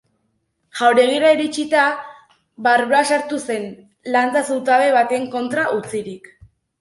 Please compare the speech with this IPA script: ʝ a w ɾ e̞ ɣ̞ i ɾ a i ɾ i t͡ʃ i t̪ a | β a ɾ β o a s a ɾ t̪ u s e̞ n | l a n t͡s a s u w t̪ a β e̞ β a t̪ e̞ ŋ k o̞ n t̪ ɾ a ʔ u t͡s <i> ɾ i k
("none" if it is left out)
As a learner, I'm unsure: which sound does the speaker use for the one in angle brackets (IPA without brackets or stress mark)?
i